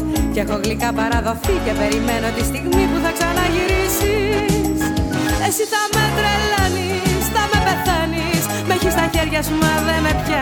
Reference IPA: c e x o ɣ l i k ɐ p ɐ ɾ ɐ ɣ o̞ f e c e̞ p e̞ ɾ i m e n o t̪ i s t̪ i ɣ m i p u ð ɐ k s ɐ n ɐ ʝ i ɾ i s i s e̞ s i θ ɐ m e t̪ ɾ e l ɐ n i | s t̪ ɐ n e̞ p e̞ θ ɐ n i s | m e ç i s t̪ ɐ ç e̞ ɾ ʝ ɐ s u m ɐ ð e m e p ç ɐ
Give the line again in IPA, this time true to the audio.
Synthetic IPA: c e x o ɣ l i k ɐ p ɐ ɾ ɐ ð o̞ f i c e̞ p e̞ ɾ i m e n o t̪ i s t̪ i ɣ m i p u θ ɐ k s ɐ n ɐ ʝ i ɾ i s i s e̞ s i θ ɐ m e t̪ ɾ e l ɐ n i | s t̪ ɐ m e̞ p e̞ θ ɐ n i s | m e ç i s t̪ ɐ ç e̞ ɾ ʝ ɐ s u m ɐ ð e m e p ç ɐ